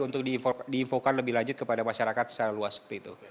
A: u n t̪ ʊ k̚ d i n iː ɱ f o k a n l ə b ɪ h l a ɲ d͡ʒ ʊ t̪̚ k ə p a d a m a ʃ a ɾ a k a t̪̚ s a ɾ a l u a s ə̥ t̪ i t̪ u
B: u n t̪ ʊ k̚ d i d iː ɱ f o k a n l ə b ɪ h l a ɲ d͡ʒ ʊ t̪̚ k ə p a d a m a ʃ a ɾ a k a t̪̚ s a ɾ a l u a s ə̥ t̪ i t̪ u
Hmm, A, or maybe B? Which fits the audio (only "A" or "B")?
B